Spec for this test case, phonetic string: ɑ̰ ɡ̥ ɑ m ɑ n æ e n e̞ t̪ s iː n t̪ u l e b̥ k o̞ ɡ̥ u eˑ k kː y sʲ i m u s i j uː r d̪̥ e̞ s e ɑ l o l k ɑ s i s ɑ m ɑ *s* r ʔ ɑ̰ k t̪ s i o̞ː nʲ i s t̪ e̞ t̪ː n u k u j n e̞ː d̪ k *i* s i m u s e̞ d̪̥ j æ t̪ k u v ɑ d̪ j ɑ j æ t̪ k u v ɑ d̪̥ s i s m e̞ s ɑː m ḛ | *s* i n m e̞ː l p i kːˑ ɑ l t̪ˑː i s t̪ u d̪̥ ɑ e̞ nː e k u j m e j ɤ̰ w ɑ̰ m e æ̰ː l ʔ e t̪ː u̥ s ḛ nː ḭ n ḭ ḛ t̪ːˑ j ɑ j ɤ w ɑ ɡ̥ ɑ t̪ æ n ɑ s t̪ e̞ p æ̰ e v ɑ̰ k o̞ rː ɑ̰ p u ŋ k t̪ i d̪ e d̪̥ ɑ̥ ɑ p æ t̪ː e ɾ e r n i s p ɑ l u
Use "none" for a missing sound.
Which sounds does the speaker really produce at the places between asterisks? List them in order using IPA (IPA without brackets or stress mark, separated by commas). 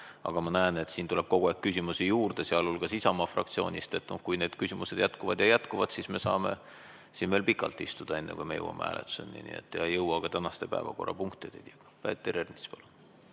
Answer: f, y, s